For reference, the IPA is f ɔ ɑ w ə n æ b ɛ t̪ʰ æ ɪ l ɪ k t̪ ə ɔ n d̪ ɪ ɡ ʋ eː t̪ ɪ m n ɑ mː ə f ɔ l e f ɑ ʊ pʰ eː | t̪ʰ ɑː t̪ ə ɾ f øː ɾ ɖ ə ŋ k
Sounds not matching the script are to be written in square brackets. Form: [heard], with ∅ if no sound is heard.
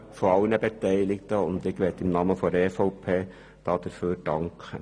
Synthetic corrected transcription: f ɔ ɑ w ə n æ b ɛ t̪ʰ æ ɪ l ɪ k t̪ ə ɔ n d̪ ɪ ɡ ʋ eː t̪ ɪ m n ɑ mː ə f ɔ [ɾ] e f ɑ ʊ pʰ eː | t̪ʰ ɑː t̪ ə ɾ f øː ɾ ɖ [ɑ] ŋ k